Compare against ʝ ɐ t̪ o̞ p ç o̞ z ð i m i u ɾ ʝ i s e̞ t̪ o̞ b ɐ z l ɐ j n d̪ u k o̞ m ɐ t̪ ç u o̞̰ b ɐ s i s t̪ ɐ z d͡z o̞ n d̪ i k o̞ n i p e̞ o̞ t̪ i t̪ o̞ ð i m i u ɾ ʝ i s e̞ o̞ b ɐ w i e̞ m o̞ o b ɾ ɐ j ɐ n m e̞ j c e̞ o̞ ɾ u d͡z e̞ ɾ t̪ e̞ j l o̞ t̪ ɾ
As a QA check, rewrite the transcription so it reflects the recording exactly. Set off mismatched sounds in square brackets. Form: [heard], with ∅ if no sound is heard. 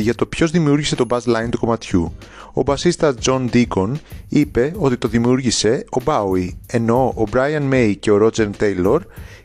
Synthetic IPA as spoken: ʝ ɐ t̪ o̞ p ç o̞ z ð i m i u ɾ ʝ i s e̞ t̪ o̞ b ɐ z l ɐ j n [t̪] u k o̞ m ɐ t̪ ç u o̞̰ b ɐ s i s t̪ ɐ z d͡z o̞ n d̪ i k o̞ n i p e̞ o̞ t̪ i t̪ o̞ ð i m i u ɾ ʝ i s e̞ o̞ b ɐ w i e̞ [n] o̞ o b ɾ ɐ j ɐ n m e̞ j c e̞ o̞ ɾ [o] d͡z e̞ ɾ t̪ e̞ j l o̞ [∅] ɾ